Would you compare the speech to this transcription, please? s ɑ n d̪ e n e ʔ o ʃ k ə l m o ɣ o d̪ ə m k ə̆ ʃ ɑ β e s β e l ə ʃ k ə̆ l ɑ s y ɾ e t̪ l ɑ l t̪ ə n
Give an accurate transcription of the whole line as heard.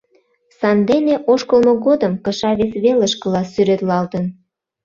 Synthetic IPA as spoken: s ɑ n d̪ e n e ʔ o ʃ k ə l m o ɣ o d̪ ə m k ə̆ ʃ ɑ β e s β e l ə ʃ k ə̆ l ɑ s y ɾ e t̪ l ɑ l t̪ ə n